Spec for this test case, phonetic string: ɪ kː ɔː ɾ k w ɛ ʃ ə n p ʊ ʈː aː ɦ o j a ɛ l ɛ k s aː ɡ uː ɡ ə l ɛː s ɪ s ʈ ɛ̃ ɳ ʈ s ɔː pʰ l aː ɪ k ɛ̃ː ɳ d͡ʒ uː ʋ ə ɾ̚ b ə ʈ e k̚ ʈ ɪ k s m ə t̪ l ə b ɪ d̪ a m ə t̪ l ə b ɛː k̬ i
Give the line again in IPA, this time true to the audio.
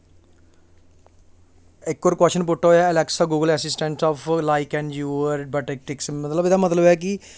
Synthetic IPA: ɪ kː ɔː ɾ k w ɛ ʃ ə n p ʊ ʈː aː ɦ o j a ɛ l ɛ k s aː ɡ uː ɡ ə l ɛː s ɪ s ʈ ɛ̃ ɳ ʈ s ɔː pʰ l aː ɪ k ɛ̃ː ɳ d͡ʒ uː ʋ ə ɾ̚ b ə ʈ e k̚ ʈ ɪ k s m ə t̪ l ə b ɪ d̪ a m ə t̪ l ə b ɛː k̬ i